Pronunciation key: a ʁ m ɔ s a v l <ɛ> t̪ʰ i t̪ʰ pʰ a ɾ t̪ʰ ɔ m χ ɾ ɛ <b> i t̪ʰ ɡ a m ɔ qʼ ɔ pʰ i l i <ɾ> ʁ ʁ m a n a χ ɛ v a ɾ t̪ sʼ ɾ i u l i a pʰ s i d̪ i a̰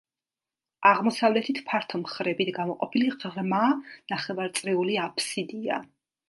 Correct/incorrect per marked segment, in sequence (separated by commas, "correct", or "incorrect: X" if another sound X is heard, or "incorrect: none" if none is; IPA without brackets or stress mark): correct, correct, incorrect: none